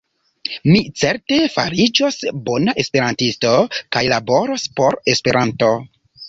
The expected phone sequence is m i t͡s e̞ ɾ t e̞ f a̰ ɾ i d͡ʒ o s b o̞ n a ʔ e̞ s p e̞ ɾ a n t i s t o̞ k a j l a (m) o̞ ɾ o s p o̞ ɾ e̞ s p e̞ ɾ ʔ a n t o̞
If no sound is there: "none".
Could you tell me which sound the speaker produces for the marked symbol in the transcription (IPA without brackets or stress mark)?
b